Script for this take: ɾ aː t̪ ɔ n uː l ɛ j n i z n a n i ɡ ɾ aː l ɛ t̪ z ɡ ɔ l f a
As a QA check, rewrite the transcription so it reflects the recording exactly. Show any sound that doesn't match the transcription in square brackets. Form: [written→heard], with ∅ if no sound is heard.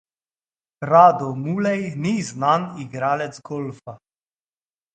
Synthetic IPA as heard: ɾ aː [t̪→d̪] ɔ [n→m] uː l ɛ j n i z n a n i ɡ ɾ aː l ɛ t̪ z ɡ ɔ l f a